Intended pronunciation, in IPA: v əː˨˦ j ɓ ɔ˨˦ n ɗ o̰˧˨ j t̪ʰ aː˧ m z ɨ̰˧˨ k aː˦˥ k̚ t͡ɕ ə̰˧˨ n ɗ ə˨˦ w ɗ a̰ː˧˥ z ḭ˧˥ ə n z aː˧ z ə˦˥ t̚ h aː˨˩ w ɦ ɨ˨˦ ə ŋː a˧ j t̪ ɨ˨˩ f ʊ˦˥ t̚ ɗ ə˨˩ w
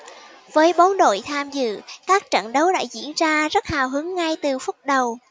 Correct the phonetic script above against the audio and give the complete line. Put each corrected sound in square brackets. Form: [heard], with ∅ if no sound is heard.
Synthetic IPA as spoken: v əː˨˦ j ɓ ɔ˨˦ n ɗ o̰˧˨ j t̪ʰ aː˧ m z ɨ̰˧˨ k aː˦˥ k̚ t͡ɕ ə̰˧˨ n ɗ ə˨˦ w ɗ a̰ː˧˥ z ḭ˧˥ ə n z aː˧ z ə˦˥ t̚ h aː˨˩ w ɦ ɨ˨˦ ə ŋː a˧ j t̪ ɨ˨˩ f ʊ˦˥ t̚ ɗ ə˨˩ w